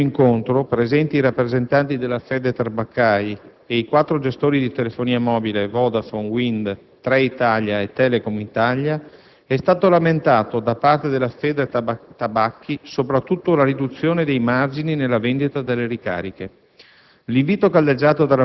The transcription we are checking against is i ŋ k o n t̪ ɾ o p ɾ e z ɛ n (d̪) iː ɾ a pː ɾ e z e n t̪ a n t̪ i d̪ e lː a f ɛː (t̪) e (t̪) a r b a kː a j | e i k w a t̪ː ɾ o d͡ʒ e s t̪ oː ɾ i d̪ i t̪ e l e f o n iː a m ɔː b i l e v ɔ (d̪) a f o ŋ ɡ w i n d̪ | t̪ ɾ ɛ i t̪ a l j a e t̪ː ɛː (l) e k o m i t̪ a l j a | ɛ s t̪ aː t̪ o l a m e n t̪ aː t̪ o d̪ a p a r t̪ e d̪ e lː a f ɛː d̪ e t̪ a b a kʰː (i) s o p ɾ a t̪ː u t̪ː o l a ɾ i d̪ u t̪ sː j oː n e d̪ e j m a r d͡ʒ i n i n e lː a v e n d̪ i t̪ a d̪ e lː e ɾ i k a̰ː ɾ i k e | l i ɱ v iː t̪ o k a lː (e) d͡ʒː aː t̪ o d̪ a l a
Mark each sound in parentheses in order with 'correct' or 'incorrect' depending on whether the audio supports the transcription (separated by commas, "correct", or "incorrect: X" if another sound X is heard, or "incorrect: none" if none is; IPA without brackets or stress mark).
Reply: incorrect: t̪, incorrect: d̪, correct, correct, correct, correct, correct